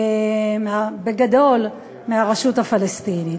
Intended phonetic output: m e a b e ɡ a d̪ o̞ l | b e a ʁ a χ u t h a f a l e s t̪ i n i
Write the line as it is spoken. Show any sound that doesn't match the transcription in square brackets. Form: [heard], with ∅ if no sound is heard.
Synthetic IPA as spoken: m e a b e ɡ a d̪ o̞ l | [m] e a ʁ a [ʃ] u t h a f a l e s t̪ i n i